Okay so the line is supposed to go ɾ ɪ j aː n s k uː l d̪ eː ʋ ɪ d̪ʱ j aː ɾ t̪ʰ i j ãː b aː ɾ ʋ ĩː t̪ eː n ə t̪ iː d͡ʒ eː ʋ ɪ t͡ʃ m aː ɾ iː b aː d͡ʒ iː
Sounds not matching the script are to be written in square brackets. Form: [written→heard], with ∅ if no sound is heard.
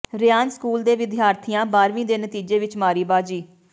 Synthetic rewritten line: ɾ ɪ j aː n s k uː l d̪ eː ʋ ɪ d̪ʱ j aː ɾ t̪ʰ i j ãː b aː ɾ ʋ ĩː [t̪→d̪] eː n ə t̪ iː d͡ʒ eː ʋ ɪ t͡ʃ m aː ɾ iː b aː d͡ʒ iː